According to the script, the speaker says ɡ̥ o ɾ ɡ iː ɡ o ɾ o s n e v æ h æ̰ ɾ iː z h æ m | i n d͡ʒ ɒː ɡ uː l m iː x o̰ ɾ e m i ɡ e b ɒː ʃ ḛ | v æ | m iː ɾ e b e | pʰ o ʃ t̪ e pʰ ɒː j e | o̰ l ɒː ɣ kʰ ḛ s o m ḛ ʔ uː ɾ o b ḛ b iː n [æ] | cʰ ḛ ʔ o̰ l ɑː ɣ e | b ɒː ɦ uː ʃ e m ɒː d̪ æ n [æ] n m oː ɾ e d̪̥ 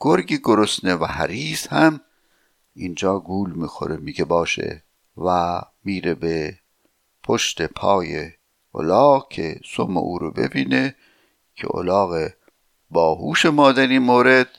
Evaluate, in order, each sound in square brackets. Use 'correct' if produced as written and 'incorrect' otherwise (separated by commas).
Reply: incorrect, incorrect